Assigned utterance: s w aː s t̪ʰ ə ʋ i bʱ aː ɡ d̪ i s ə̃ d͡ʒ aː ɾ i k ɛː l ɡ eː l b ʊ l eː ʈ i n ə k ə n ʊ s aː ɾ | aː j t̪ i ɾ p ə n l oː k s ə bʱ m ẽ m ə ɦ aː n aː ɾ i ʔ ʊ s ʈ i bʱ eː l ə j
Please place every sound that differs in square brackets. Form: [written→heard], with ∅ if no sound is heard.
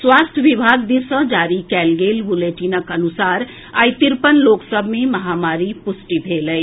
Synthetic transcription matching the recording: s w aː s t̪ʰ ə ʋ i bʱ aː ɡ d̪ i s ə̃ d͡ʒ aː ɾ i k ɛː l ɡ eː l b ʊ l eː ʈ i n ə k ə n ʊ s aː ɾ | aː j t̪ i ɾ p ə n l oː k s ə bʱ m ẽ m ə ɦ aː [n→m] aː ɾ i [ʔ→p] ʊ s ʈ i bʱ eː l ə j